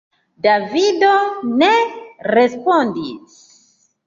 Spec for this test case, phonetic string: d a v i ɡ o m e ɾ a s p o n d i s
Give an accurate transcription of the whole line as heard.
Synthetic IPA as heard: d a v i d o n e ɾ e s p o n d i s